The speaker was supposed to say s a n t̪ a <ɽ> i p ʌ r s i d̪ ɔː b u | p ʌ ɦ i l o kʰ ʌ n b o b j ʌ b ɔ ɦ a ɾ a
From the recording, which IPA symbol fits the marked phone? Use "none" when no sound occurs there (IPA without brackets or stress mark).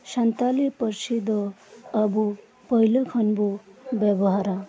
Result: l